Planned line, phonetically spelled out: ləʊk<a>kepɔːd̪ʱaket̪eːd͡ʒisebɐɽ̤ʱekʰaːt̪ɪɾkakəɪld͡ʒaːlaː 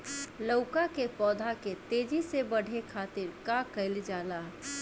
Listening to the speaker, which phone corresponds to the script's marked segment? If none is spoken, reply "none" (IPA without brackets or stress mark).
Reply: a